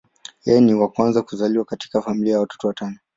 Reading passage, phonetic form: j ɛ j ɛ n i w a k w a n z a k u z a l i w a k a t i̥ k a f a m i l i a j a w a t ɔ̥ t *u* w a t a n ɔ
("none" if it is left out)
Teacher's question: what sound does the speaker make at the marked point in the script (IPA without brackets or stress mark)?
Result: ɔ